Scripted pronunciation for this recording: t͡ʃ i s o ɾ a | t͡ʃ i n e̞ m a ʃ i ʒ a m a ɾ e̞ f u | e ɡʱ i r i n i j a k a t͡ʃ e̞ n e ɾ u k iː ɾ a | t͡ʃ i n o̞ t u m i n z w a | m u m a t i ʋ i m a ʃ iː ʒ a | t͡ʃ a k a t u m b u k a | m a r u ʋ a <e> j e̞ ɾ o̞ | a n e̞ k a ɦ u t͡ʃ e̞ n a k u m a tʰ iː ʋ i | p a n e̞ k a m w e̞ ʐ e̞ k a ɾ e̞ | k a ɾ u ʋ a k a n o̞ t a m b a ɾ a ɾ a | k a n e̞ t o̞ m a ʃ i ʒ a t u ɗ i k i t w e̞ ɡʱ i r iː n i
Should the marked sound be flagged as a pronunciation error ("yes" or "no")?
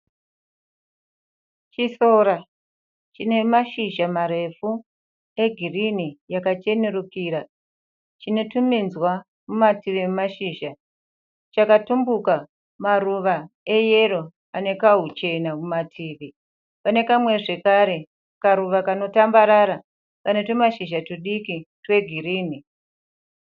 no